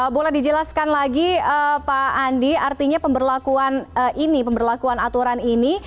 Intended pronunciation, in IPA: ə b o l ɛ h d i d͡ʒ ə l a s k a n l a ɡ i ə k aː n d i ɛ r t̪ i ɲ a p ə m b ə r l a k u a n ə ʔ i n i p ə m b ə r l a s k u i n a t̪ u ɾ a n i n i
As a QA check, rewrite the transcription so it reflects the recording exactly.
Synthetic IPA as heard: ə b o l ɛ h d i d͡ʒ ə l a s k a n l a ɡ i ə p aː n d i a r t̪ i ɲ a p ə m b ə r l a k u a n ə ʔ i n i p ə m b ə r l a k u a n a t̪ u ɾ a n i n i